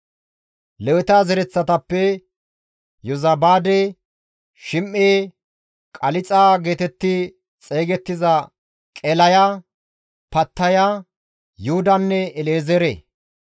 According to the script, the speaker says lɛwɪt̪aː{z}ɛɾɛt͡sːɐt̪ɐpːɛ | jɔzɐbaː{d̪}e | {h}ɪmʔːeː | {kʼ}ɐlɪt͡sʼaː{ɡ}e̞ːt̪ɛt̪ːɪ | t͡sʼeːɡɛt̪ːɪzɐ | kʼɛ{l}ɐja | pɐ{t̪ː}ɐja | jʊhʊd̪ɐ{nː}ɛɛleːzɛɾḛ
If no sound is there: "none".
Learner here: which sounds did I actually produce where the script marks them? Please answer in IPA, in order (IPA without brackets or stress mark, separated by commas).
z, d̪, ʃ, kʼ, ɡ, l, t̪ː, nː